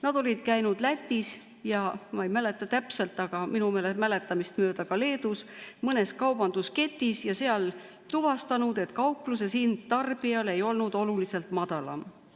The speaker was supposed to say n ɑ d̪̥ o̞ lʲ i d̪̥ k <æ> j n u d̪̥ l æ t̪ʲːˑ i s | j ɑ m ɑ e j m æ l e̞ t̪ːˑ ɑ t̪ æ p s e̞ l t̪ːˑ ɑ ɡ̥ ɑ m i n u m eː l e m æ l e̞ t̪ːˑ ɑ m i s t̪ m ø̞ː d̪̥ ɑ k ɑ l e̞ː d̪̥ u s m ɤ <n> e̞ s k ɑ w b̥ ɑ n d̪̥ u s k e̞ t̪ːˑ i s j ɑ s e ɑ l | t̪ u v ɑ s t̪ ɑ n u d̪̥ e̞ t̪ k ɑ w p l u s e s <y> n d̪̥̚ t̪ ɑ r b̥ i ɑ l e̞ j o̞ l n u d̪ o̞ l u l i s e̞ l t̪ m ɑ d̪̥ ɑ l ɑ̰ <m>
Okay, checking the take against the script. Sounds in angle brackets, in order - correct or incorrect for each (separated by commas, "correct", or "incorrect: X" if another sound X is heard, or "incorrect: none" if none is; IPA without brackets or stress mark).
correct, correct, incorrect: i, correct